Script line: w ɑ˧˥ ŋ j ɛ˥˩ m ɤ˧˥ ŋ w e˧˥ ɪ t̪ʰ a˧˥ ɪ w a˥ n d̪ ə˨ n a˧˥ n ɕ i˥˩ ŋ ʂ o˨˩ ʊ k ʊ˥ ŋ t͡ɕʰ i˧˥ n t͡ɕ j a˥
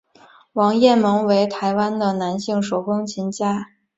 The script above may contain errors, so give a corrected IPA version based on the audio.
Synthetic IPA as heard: w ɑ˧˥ ŋ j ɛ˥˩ m ɤ˧˥ ŋ w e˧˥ ɪ t̪ʰ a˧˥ ɪ w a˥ n d̪ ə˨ n a˧˥ n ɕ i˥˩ ŋ ʂ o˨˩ ʊ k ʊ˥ ŋ t͡ɕʰ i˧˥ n t͡ɕ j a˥